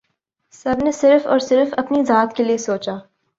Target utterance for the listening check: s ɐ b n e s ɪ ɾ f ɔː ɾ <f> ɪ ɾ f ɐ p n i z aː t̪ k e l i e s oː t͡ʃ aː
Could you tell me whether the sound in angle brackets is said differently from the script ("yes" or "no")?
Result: yes